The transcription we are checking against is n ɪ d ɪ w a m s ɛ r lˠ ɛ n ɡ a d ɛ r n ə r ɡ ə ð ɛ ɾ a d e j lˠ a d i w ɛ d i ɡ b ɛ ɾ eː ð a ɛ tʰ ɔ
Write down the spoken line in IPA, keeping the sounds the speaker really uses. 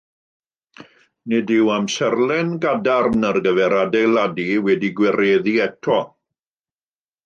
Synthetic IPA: n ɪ d ɪ w a m s ɛ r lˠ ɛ n ɡ a d a r n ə r ɡ ə v ɛ ɾ a d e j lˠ a d i w ɛ d i ɡ w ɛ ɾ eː ð i ɛ tʰ ɔ